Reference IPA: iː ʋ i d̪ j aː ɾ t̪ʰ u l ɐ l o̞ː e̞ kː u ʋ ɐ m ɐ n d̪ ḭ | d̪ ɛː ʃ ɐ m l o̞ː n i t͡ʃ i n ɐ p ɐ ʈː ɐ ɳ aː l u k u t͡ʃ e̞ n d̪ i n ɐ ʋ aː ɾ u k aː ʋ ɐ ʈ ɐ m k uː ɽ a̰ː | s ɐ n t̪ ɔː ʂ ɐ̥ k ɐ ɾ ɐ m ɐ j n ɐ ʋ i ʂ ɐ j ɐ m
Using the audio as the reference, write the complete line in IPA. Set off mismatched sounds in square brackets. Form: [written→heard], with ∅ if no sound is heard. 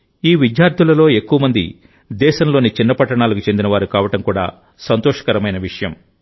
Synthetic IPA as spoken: iː ʋ i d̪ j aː ɾ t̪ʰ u l ɐ l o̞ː e̞ kː u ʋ ɐ m ɐ n d̪ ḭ | d̪ ɛː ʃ ɐ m l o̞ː n i t͡ʃ i [n→nː] ɐ p ɐ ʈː ɐ ɳ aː l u k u t͡ʃ e̞ n d̪ i n ɐ ʋ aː ɾ u k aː ʋ ɐ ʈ ɐ m k uː ɽ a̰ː | s ɐ n t̪ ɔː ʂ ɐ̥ k ɐ ɾ ɐ m ɐ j n ɐ ʋ i ʂ ɐ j ɐ m